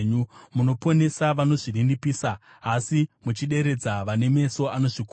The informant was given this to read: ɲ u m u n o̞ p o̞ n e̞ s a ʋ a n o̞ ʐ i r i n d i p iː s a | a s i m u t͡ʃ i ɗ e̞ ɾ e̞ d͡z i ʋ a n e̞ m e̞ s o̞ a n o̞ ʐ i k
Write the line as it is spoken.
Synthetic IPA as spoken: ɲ u m u n o̞ p o̞ n e̞ s a ʋ a n o̞ ʐ i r i n d i p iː s a | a s i m u t͡ʃ i ɗ e̞ ɾ e̞ d͡z a ʋ a n e̞ m e̞ s o̞ a n o̞ ʐ i k